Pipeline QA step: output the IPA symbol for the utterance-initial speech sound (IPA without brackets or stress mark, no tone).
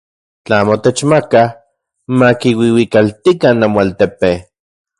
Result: t͡ɬ